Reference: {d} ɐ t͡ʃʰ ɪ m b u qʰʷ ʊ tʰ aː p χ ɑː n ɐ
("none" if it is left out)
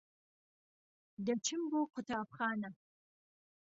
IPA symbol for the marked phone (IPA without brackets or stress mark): d